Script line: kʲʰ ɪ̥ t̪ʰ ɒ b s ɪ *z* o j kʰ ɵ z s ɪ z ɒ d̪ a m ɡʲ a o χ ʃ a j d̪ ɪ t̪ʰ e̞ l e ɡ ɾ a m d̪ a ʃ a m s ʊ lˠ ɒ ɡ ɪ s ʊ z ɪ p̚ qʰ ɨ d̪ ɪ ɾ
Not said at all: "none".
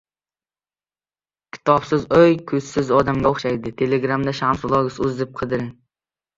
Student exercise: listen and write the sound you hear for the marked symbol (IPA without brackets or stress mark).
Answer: z